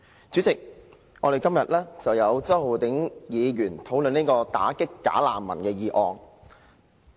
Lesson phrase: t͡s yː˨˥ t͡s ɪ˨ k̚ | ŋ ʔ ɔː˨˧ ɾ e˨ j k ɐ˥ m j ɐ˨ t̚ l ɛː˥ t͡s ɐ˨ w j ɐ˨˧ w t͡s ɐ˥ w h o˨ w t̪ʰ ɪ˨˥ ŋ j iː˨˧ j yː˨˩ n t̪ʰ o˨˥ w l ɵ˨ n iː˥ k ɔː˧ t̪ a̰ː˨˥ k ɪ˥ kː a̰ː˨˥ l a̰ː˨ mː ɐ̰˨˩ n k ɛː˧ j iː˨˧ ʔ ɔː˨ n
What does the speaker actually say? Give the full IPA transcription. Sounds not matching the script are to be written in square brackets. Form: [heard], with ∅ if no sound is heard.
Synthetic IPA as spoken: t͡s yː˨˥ t͡s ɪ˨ k̚ | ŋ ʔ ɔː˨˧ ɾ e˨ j k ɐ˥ m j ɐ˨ t̚ l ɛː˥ t͡s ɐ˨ w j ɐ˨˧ w t͡s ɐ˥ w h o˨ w [t̪] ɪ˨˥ ŋ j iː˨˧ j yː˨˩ n t̪ʰ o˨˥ w l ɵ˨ n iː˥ k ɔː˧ t̪ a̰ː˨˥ k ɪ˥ kː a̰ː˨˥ l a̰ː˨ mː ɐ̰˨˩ n k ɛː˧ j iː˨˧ ʔ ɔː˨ [ŋ]